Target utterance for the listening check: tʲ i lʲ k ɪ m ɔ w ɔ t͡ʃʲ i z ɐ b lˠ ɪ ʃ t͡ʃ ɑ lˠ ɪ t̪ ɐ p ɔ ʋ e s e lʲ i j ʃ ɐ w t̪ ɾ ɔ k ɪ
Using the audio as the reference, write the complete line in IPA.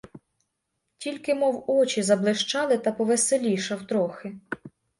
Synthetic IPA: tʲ i lʲ k ɪ m ɔ w ɔ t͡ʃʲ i z ɐ b lˠ ɪ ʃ t͡ʃ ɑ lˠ ɪ t̪ ɐ p ɔ ʋ e s e lʲ i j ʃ ɐ w t̪ ɾ ɔ x ɪ